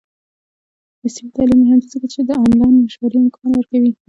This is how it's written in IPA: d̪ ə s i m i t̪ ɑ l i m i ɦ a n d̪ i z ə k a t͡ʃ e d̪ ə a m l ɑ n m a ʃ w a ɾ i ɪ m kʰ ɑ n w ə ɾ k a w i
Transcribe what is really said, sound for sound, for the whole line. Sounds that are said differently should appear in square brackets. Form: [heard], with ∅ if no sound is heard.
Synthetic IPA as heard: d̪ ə s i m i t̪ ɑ l i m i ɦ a n d̪ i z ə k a t͡ʃ e d̪ ə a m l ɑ n m a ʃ w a ɾ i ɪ m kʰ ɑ n w ə ɾ k a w i